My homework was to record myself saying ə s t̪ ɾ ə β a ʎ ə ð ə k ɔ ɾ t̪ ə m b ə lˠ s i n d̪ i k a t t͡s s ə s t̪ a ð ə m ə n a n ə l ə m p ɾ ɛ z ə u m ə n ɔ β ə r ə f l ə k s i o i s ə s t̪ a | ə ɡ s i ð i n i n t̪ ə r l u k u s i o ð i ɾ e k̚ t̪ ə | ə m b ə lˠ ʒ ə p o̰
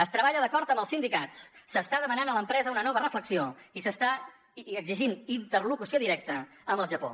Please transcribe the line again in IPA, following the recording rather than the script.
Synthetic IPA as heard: ə s t̪ ɾ ə β a ʎ ə ð ə k ɔ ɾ t̪ ə m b ə lˠ s i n d̪ i k a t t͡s s ə s t̪ a ð ə m ə n a n ə l ə m p ɾ ɛ z ə u n ə n ɔ β ə r ə f l ə k s i o i s ə s t̪ a | ə ɡ z i ʒ i n i n t̪ ə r l u k u s i o ð i ɾ ɛ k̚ t̪ ə | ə m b ə lˠ ʒ ə p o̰